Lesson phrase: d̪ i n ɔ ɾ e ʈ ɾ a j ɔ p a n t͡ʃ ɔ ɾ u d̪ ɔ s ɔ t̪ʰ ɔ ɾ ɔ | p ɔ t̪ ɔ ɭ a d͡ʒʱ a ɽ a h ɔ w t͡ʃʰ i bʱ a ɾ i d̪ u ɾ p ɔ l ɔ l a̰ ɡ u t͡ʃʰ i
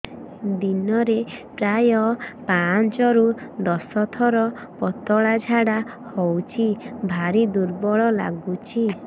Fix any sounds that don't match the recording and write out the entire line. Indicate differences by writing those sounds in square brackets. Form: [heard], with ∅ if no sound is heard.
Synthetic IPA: d̪ i n ɔ ɾ e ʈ ɾ a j ɔ p a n t͡ʃ ɔ ɾ u d̪ ɔ s ɔ t̪ʰ ɔ ɾ ɔ | p ɔ t̪ ɔ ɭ a d͡ʒʱ a ɽ a h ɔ w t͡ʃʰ i bʱ a ɾ i d̪ u ɾ [b] ɔ [ɭ] ɔ l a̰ ɡ u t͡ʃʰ i

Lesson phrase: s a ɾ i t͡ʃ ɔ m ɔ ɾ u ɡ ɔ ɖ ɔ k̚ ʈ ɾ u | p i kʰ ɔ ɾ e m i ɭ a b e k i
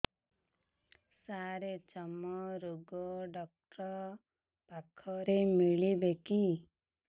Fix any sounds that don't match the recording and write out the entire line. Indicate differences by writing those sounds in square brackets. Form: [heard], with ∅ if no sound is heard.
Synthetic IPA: s a ɾ [e] t͡ʃ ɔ m ɔ ɾ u ɡ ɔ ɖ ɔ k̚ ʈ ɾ [ɔ] | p [a] kʰ ɔ ɾ e m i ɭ [i] b e k i

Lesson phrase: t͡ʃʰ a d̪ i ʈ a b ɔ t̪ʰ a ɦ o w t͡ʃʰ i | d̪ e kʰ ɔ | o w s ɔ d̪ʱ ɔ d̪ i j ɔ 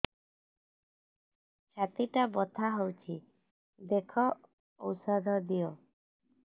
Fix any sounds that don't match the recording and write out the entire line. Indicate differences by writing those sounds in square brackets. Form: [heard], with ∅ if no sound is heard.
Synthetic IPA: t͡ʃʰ a [t̪] i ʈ a b ɔ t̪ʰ a ɦ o w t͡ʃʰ i | d̪ e kʰ ɔ | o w s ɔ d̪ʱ ɔ d̪ i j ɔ

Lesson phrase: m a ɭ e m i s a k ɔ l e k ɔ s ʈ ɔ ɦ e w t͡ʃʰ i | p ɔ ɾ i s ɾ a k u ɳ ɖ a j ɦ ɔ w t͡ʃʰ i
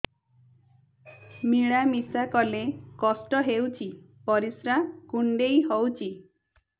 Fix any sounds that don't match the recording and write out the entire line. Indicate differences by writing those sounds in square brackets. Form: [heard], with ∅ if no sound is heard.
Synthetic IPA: m [i] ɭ [a] m i s a k ɔ l e k ɔ s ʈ ɔ ɦ e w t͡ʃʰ i | p ɔ ɾ i s ɾ a k u ɳ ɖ [e] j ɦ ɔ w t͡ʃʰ i

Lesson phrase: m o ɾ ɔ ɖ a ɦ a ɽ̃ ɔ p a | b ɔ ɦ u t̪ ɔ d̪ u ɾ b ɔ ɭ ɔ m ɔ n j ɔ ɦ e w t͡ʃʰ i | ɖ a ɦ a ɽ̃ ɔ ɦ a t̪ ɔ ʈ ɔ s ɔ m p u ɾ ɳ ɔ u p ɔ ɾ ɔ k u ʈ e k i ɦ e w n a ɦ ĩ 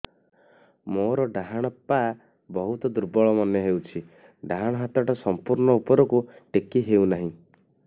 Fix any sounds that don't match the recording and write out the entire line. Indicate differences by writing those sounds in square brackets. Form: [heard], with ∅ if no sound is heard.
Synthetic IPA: m o ɾ ɔ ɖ a ɦ a ɽ̃ ɔ p a | b ɔ ɦ u t̪ ɔ d̪ u ɾ b ɔ ɭ ɔ m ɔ n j ɔ ɦ e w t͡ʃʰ i | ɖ a ɦ a ɽ̃ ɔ ɦ a t̪ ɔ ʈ ɔ s ɔ m p u ɾ ɳ ɔ u p ɔ ɾ ɔ k u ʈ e k i ɦ e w n a ɦ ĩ

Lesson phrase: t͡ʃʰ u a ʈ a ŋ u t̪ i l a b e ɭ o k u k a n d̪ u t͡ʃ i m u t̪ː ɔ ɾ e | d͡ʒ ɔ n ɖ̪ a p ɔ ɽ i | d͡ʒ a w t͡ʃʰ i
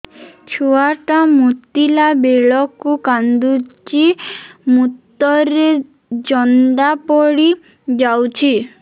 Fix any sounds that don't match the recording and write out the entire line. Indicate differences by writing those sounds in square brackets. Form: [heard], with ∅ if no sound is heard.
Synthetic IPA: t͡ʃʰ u a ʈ a [m] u t̪ i l a b e ɭ [ɔ] k u k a n d̪ u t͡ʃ i m u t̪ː ɔ ɾ e | d͡ʒ ɔ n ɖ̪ a p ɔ ɽ i | d͡ʒ a w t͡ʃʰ i

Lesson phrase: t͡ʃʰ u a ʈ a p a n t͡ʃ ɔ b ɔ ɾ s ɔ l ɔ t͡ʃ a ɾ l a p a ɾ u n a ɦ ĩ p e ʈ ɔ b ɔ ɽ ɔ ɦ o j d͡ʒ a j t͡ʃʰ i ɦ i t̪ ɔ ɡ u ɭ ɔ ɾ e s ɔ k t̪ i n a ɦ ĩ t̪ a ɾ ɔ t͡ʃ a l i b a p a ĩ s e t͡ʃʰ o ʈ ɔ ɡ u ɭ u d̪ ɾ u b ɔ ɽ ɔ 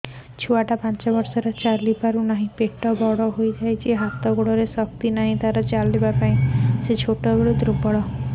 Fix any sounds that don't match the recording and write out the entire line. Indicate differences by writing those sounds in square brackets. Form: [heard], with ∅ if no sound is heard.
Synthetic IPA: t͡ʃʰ u a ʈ a p a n t͡ʃ ɔ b ɔ ɾ s ɔ [ɾ] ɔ t͡ʃ a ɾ l [i] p a ɾ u n a ɦ ĩ p e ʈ ɔ b ɔ ɽ ɔ ɦ o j d͡ʒ a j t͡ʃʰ i ɦ [a] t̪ ɔ ɡ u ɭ ɔ ɾ e s ɔ k t̪ i n a ɦ ĩ t̪ a ɾ ɔ t͡ʃ a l i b a p a ĩ s e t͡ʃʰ o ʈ ɔ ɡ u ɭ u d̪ ɾ u b ɔ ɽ ɔ

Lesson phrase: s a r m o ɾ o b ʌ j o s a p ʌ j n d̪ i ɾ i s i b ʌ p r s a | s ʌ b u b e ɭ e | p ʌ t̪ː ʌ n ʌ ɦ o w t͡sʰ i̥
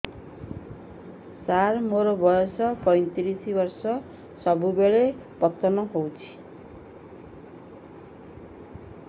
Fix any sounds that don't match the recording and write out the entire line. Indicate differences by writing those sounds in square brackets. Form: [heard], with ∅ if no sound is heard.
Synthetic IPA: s a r m o ɾ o b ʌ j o s [ʌ] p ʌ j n [t̪] i ɾ i s i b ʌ [∅] r s [ʌ] | s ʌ b u b e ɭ e | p ʌ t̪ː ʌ n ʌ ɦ o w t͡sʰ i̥

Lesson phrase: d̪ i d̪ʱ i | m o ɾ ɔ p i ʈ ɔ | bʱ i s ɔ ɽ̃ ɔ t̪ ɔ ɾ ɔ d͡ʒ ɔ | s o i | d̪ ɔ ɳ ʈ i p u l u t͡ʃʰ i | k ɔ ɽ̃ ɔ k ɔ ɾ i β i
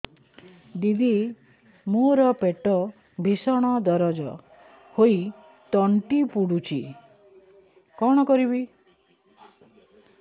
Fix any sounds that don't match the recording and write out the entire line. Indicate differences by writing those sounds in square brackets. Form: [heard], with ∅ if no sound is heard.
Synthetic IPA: d̪ i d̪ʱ i | m o ɾ ɔ p [e] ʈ ɔ | bʱ i s ɔ ɽ̃ ɔ [d̪] ɔ ɾ ɔ d͡ʒ ɔ | [h] o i | [t̪] ɔ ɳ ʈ i p u [ɽ] u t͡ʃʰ i | k ɔ ɽ̃ ɔ k ɔ ɾ i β i

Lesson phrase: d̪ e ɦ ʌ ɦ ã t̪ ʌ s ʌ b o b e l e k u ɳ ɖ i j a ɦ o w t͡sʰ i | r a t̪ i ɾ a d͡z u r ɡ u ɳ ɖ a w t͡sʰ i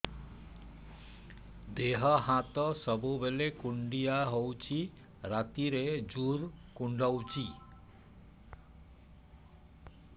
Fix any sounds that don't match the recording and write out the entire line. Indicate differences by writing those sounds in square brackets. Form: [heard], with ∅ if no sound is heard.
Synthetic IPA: d̪ e ɦ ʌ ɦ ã t̪ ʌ s ʌ b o b e l e k u ɳ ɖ i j a ɦ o w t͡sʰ i | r a t̪ i ɾ [e] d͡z u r [k] u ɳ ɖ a w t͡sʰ i

